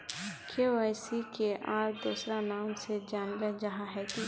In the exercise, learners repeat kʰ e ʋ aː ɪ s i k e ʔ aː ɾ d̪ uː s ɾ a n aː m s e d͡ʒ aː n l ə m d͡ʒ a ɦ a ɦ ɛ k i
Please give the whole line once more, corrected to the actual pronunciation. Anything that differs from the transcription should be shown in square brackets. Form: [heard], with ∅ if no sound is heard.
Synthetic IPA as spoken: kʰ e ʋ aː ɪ s i k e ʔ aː ɾ d̪ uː s ɾ a n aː m s e d͡ʒ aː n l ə [∅] d͡ʒ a ɦ a ɦ ɛ k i